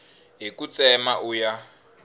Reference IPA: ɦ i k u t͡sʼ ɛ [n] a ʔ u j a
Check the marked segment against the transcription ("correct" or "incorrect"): incorrect